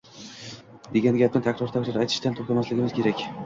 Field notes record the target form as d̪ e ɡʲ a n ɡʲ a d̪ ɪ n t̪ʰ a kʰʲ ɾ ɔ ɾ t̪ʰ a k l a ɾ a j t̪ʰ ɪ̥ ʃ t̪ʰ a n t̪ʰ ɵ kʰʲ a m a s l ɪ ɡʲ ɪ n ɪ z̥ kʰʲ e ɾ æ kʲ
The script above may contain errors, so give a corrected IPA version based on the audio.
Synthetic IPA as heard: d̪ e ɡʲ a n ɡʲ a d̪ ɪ n t̪ʰ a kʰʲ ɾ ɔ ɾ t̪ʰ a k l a ɾ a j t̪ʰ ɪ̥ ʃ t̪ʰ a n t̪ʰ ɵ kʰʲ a m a s l ɪ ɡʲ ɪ m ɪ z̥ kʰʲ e ɾ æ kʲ